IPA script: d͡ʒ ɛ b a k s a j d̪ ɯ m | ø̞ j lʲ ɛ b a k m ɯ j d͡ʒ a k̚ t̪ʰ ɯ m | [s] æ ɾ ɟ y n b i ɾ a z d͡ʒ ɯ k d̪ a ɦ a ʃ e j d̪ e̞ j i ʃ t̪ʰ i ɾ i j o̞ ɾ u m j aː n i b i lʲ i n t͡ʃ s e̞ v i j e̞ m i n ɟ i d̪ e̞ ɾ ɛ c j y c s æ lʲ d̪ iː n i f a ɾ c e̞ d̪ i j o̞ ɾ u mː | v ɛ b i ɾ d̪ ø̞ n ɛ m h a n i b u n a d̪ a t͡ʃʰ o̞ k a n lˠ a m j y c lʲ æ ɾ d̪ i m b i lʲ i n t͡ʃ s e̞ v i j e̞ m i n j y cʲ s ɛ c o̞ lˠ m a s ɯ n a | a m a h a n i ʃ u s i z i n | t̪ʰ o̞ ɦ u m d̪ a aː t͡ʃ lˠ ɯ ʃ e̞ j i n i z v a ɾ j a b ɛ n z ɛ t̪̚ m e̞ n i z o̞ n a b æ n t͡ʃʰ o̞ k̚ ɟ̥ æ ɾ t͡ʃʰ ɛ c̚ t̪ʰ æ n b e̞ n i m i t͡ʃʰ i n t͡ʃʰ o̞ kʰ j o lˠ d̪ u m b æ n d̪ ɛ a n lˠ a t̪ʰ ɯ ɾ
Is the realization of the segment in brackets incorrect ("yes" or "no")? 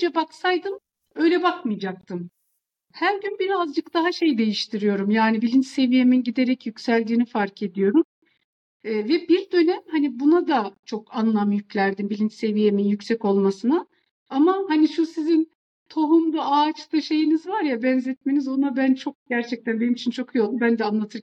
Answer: yes